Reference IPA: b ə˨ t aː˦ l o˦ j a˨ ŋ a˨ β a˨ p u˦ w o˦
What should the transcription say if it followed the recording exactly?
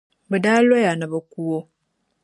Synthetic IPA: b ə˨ d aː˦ l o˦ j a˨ n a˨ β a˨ k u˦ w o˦